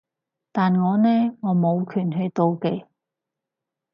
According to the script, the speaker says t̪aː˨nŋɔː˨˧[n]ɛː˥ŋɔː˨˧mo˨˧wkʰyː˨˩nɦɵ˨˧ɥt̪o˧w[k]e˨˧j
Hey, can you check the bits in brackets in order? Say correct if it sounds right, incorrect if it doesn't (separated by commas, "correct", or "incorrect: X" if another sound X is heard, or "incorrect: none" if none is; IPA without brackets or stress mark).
correct, correct